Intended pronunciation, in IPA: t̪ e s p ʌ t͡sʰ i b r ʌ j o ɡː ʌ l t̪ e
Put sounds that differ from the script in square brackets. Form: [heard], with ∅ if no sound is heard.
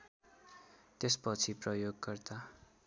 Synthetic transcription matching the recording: t̪ e s p ʌ t͡sʰ i [p] r ʌ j o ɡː ʌ [r] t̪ [a]